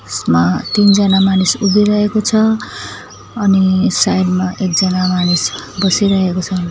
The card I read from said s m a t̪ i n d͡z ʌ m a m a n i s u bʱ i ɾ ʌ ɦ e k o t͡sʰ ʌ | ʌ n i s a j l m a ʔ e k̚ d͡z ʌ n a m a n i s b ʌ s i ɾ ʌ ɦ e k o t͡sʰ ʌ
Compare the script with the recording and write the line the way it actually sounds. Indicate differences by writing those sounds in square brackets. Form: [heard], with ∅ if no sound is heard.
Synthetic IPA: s m a t̪ i n d͡z ʌ [n] a m a n i s u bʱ i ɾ ʌ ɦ e k o t͡sʰ ʌ | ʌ n i s a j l m a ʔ e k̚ d͡z ʌ n a m a n i s b ʌ s i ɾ ʌ ɦ e k o t͡sʰ ʌ